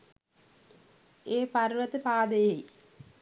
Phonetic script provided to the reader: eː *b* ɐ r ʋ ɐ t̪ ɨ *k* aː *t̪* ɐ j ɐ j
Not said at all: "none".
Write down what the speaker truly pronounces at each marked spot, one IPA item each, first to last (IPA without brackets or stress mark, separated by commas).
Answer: p, p, d̪